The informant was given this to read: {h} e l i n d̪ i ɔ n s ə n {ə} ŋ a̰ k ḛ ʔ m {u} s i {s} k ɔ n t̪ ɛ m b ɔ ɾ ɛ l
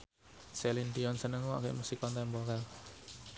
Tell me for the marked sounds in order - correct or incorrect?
incorrect, correct, correct, incorrect

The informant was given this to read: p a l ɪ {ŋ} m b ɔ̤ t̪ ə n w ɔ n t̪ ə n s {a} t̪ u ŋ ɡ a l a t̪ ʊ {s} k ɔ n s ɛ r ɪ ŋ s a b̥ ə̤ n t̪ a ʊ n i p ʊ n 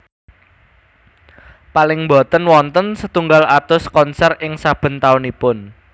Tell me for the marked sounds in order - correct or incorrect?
correct, incorrect, correct

